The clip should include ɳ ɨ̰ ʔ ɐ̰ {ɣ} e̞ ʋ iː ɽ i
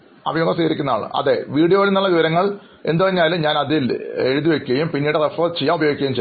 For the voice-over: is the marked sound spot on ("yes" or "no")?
no